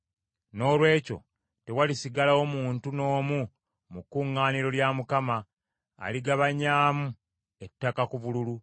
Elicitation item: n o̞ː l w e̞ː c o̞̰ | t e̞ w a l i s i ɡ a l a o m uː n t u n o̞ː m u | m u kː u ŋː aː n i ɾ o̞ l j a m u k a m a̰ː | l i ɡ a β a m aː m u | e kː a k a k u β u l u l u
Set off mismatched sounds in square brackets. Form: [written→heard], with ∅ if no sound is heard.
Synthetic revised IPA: n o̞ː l w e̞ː c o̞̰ | t e̞ w a l i s i ɡ a l a o m uː n t u n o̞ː m u | m u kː u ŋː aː n i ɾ o̞ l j a m u k a m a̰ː | l i ɡ a β a [m→ɲ] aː m u | e [kː→tː] a k a k u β u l u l u